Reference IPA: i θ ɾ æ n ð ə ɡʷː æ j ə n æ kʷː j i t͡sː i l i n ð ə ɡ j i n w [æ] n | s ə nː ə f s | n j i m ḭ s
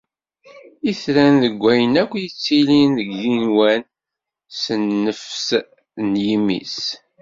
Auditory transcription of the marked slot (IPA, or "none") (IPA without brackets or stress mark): æ